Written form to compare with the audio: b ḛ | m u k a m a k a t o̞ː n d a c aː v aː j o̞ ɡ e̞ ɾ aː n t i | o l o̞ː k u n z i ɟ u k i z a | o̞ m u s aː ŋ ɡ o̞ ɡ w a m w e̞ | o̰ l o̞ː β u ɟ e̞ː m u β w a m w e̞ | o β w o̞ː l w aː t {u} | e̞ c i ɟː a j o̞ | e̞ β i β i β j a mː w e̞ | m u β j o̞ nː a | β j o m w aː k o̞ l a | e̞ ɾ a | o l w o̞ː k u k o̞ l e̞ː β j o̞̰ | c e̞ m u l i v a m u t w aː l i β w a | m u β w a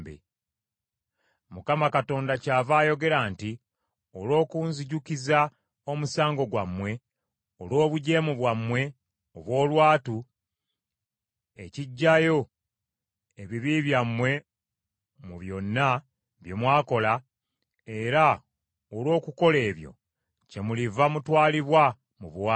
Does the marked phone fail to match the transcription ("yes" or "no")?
no